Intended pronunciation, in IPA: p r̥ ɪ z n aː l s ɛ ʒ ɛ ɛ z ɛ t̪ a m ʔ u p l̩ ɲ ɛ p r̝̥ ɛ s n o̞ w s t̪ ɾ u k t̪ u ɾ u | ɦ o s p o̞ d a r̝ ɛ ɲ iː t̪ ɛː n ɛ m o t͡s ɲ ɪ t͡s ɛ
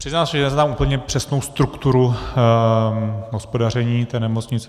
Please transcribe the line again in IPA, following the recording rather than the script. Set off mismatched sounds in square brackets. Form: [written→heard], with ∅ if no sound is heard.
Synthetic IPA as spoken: p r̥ ɪ z n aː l s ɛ ʒ ɛ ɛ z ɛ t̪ a m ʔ u p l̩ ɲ ɛ p r̝̥ ɛ s n o̞ w s t̪ ɾ u k t̪ u ɾ u | ɦ o s p o̞ d a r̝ ɛ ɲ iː t̪ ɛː n ɛ m o t͡s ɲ ɪ t͡s ɛ

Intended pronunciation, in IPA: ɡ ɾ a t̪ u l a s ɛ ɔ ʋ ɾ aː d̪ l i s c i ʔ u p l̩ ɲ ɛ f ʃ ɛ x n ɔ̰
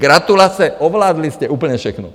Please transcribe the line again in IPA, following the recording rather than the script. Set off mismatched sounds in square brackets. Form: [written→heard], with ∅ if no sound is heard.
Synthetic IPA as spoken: ɡ ɾ a t̪ u l a s ɛ ɔ ʋ [ɾ→l] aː d̪ l i s c [i→ɛ] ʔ [u→uː] p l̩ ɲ ɛ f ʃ ɛ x n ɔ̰

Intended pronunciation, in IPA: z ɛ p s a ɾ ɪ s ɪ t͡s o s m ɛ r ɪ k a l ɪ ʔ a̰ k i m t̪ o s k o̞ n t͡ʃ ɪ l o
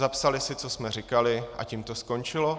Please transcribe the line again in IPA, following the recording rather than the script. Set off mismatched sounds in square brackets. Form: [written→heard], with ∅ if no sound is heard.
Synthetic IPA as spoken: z [ɛ→a] p s a [ɾ→l] ɪ s ɪ t͡s o s m ɛ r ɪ k a l ɪ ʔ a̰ [k→c] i m t̪ o s k o̞ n t͡ʃ ɪ l o

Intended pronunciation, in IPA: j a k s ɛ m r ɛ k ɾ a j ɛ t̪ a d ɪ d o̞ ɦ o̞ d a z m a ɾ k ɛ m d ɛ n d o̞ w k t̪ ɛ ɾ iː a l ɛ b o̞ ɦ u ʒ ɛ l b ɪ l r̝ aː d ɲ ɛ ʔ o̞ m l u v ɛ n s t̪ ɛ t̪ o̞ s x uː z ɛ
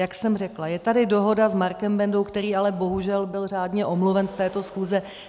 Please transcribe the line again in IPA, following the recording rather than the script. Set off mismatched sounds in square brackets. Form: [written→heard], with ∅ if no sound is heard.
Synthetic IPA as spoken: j a k s ɛ m r ɛ k [ɾ→l] a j ɛ t̪ a d ɪ d o̞ ɦ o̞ d a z m a ɾ k ɛ m [d→b] ɛ n d o̞ w k t̪ ɛ ɾ iː a l ɛ b o̞ ɦ u ʒ ɛ l b ɪ l r̝ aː d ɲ ɛ ʔ o̞ m l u v ɛ n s t̪ [ɛ→ɛː] t̪ o̞ s x uː z ɛ

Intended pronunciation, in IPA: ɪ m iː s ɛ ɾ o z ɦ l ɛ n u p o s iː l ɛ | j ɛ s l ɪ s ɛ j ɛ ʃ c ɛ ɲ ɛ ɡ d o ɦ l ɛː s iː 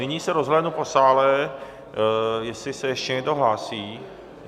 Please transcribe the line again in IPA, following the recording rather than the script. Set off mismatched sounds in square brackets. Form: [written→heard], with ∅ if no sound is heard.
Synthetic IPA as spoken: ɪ [m→ɲ] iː s ɛ ɾ o z ɦ l ɛ n u p o s [iː→aː] l ɛ | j ɛ s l ɪ s ɛ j ɛ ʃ c ɛ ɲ ɛ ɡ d o ɦ l [ɛː→aː] s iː

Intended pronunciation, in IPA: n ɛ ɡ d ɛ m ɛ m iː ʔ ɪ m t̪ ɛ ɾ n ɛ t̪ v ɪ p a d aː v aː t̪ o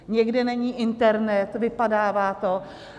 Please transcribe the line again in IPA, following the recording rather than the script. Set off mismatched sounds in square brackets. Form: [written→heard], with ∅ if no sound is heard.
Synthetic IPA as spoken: [n→ɲ] ɛ ɡ d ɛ [m→n] ɛ [m→ɲ] iː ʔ ɪ [m→n] t̪ ɛ ɾ n ɛ t̪ v ɪ p a d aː v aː t̪ o

